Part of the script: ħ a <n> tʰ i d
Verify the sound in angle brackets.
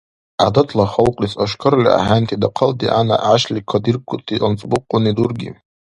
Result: correct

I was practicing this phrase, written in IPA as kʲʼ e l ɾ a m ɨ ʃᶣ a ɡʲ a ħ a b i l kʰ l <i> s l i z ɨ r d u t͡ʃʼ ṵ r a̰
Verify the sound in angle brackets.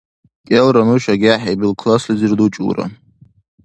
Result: incorrect: a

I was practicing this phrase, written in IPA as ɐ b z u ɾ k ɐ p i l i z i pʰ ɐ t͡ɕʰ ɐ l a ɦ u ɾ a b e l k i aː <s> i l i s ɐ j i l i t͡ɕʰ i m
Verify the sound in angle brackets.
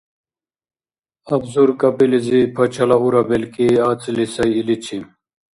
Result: incorrect: t͡s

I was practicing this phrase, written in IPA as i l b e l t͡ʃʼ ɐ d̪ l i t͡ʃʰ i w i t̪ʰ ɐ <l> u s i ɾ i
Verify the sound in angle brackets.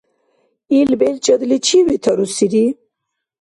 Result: incorrect: ɾ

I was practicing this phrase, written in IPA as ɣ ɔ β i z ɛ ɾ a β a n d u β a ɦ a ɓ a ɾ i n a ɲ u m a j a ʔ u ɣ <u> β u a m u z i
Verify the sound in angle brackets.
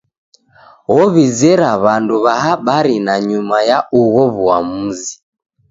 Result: incorrect: ɔ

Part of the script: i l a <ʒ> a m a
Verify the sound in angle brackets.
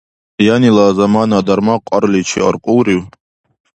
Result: incorrect: z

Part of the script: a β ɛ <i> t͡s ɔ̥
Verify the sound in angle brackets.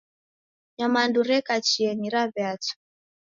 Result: incorrect: a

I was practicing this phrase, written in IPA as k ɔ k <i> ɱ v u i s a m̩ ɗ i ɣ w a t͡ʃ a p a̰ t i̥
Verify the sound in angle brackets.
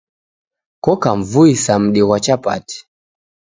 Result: incorrect: a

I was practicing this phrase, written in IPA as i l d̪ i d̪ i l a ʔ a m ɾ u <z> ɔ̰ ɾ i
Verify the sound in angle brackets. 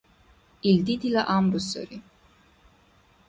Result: incorrect: s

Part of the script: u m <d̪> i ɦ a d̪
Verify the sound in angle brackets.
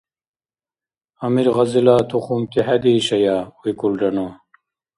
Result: incorrect: t̪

